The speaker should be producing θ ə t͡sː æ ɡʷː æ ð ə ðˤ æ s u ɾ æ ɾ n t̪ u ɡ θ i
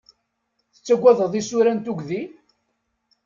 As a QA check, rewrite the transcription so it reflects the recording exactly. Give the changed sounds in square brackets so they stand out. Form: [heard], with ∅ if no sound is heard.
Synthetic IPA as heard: θ ə t͡sː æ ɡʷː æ ð ə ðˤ [i] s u ɾ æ [∅] n t̪ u ɡ [ð] i